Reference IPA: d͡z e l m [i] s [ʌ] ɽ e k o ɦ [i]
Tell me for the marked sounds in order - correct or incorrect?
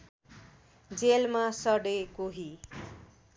incorrect, correct, correct

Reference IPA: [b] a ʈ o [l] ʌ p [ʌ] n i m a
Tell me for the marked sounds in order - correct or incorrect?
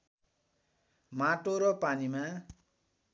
incorrect, incorrect, incorrect

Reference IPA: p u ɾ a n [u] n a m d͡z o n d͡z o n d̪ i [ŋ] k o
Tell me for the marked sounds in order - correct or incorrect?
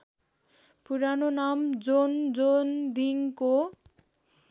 incorrect, correct

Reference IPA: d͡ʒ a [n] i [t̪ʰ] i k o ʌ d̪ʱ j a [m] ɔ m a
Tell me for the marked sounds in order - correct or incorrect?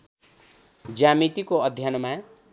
incorrect, incorrect, incorrect

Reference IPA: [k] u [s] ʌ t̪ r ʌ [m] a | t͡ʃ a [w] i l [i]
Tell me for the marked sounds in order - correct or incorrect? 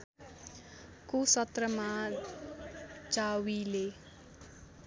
correct, correct, correct, correct, incorrect

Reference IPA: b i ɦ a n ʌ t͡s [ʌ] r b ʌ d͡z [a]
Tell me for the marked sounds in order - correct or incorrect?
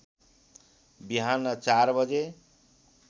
incorrect, incorrect

